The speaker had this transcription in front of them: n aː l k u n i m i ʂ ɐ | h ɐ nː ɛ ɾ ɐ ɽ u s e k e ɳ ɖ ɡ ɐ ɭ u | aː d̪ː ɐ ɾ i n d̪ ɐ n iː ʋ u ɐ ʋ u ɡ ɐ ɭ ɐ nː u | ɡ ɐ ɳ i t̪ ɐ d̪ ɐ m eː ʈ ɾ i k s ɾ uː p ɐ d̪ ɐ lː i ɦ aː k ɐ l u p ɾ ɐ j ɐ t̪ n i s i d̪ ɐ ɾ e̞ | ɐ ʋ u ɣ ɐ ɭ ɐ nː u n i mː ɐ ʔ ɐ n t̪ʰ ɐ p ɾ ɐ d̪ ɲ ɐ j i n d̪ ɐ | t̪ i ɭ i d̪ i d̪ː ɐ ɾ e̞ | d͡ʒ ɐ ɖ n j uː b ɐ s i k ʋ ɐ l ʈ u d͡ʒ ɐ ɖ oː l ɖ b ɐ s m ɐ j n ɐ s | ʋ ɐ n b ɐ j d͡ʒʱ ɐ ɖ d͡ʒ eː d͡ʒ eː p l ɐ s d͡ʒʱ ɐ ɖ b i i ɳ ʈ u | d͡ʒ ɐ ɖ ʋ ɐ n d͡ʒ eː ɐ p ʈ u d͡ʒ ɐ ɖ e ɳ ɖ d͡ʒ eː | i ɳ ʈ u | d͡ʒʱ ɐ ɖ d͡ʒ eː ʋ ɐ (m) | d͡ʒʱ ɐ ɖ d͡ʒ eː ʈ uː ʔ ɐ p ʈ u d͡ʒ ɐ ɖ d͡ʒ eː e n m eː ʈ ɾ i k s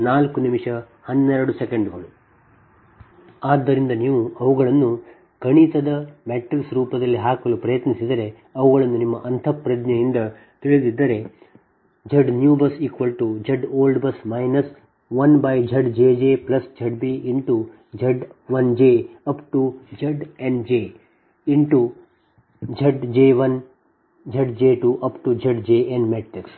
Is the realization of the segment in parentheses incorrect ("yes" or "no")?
yes